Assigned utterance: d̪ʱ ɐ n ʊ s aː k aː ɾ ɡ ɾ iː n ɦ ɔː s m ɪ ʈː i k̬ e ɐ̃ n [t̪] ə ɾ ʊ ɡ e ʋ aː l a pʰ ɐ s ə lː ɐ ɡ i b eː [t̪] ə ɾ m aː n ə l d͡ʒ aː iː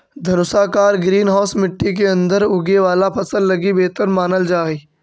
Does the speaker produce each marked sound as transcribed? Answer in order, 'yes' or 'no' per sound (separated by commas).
no, yes